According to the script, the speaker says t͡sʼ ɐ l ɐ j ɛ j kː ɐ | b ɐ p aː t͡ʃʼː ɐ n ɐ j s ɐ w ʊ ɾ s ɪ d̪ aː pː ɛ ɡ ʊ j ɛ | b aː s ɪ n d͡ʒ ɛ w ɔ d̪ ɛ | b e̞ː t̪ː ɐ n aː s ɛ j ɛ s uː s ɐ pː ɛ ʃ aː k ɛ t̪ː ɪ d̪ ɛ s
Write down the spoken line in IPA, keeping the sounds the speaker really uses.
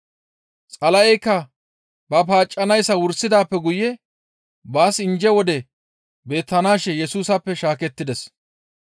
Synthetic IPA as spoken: t͡sʼ ɐ l ɐ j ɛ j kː ɐ | b ɐ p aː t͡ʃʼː ɐ n ɐ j s ɐ w ʊ ɾ s ɪ d̪ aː pː ɛ ɡ ʊ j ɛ | b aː s ɪ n d͡ʒ ɛ w ɔ d̪ ɛ | b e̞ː t̪ː ɐ n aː ʃ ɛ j ɛ s uː s ɐ pː ɛ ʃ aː k ɛ t̪ː ɪ d̪ ɛ s